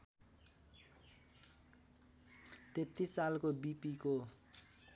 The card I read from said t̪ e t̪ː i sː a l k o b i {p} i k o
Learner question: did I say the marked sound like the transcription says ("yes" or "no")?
yes